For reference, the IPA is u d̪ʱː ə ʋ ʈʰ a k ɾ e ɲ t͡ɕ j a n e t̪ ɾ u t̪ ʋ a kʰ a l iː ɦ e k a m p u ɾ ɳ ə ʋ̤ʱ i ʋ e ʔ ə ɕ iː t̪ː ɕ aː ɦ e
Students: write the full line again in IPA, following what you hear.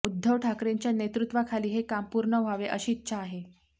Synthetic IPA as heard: u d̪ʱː ə ʋ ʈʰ a k ɾ e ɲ t͡ɕ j a n e t̪ ɾ u t̪ ʋ a kʰ a l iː ɦ e k a m p u ɾ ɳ ə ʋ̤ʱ a ʋ e ʔ ə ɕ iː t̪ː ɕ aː ɦ e